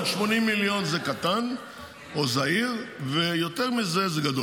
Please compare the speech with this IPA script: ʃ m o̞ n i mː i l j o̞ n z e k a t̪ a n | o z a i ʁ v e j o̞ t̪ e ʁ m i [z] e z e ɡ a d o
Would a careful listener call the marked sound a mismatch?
no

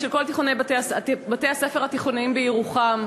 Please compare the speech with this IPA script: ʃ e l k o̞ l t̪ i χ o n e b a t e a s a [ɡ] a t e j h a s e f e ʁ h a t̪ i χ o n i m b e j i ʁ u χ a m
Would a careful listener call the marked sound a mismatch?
yes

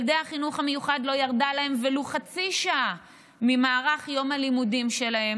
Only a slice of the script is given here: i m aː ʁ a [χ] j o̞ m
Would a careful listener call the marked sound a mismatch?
no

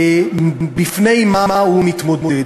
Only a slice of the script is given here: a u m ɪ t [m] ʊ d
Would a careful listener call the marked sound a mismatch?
no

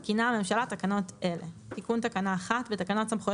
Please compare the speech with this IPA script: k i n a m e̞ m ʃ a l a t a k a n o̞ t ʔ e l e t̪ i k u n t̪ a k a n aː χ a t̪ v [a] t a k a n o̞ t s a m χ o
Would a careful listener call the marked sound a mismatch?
yes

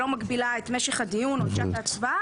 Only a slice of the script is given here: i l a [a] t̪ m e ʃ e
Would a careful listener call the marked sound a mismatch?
yes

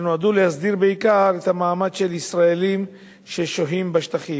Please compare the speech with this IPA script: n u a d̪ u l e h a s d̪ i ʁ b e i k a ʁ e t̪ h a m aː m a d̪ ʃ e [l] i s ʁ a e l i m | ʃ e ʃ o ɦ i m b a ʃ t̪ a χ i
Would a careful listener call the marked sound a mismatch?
no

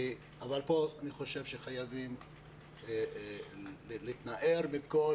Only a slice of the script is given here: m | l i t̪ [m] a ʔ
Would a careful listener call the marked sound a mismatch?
yes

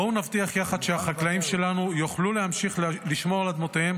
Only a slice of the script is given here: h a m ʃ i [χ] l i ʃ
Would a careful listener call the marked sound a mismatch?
no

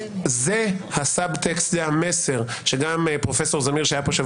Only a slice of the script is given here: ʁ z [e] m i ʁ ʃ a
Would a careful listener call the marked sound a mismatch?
yes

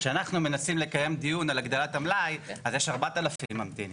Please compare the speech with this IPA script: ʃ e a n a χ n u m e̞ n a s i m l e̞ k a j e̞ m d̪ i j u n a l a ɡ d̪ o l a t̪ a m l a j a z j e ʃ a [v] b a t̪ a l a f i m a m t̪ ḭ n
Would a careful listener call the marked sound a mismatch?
yes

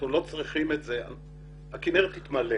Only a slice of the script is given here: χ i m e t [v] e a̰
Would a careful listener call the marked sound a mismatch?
yes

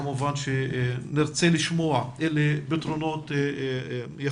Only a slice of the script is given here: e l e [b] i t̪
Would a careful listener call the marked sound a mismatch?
no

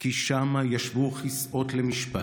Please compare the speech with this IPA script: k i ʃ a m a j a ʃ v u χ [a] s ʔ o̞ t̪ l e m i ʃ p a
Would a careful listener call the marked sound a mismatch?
yes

